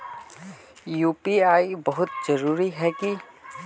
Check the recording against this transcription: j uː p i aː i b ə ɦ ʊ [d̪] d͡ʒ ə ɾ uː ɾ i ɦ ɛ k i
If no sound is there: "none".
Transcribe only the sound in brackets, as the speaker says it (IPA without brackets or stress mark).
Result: t̪